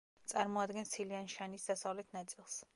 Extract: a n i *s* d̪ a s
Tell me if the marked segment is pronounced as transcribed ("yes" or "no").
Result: yes